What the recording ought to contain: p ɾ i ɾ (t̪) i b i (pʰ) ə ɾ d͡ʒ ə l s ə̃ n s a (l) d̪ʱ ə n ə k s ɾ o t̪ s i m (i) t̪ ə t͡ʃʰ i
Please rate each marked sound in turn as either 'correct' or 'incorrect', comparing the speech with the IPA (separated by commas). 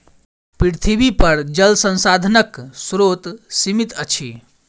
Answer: incorrect, incorrect, incorrect, correct